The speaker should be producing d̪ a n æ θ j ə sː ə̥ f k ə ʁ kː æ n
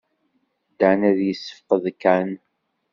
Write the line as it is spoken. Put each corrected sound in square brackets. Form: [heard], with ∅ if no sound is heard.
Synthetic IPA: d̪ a n æ [ð] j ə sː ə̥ f [q] ə [ð] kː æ n